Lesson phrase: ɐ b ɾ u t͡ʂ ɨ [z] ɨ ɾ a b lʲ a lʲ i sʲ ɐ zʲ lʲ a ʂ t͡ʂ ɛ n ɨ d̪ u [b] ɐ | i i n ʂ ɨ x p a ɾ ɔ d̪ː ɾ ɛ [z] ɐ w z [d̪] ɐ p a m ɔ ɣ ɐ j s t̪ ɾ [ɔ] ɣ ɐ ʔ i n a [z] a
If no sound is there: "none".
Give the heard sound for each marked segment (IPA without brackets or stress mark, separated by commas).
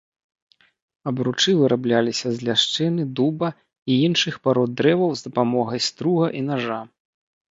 v, b, v, d̪, u, ʐ